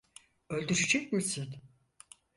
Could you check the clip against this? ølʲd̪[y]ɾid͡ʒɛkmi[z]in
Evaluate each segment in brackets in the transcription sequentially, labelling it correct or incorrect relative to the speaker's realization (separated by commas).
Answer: correct, incorrect